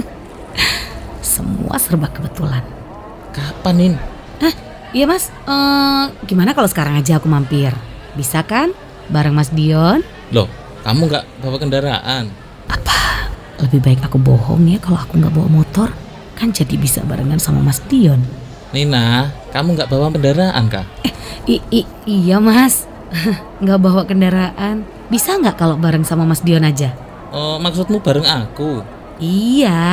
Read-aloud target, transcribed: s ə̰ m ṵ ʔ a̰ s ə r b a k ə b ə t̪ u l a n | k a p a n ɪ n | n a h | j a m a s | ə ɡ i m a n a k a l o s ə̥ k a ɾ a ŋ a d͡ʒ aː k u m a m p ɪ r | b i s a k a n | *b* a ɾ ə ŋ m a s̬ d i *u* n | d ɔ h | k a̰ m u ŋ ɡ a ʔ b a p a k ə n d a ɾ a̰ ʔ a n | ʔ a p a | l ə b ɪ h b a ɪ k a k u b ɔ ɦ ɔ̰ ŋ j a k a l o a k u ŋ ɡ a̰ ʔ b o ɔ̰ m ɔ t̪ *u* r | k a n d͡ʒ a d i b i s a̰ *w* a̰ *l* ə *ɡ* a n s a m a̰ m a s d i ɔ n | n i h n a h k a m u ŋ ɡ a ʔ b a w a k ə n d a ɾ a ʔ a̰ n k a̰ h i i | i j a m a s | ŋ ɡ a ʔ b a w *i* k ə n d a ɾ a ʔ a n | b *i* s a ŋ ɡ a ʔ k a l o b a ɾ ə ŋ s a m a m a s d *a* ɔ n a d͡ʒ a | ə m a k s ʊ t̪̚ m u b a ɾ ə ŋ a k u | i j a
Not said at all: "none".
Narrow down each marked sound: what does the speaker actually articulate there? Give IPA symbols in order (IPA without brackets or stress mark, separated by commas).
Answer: b, ɔ, ɔ, b, ɾ, ŋ, a, i, i